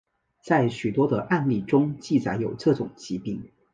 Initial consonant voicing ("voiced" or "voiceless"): voiceless